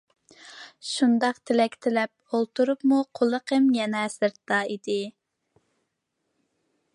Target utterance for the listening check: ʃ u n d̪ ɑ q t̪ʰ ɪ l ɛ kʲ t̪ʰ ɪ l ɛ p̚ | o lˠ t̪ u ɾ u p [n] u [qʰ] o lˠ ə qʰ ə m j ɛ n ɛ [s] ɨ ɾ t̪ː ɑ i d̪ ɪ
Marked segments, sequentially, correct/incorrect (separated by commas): incorrect, correct, correct